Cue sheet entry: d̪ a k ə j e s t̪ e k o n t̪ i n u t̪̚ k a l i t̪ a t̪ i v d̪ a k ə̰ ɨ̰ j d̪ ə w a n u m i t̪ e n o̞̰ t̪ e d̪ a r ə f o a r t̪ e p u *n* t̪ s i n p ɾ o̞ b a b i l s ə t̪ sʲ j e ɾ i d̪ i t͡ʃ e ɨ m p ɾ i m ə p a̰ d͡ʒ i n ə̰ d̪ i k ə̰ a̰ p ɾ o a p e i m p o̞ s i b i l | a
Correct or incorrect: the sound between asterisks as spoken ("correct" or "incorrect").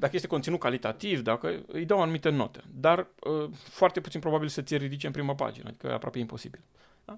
incorrect